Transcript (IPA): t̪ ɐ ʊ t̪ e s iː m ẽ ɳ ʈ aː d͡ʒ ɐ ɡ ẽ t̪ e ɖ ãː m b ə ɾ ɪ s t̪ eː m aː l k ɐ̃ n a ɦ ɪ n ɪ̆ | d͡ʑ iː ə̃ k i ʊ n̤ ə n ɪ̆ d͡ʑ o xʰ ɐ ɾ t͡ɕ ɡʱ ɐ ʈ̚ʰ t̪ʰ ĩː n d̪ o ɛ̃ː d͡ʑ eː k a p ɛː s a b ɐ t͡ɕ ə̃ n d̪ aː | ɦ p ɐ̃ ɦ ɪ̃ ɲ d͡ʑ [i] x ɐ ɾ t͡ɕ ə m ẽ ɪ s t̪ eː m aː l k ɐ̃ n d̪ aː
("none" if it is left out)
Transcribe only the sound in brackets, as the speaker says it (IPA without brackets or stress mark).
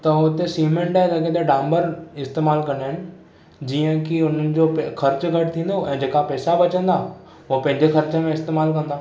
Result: e